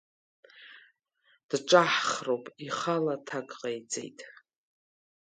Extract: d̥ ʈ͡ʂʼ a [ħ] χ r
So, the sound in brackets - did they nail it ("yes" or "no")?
yes